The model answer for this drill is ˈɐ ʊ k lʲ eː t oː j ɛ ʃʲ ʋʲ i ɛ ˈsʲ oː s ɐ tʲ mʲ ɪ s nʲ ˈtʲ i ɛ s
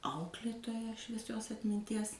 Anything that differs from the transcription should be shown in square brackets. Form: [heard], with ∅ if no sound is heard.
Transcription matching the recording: ˈɐ ʊ k lʲ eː t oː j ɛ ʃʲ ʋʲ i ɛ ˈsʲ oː s ɐ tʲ mʲ ɪ [∅] nʲ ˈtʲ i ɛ s